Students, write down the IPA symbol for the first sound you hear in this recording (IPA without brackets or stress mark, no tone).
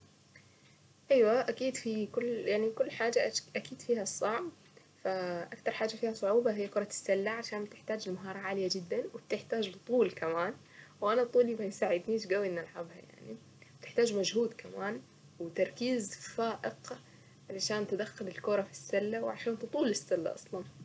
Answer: ʔ